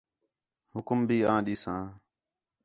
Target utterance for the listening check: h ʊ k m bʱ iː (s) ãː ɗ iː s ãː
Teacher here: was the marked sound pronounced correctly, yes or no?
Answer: no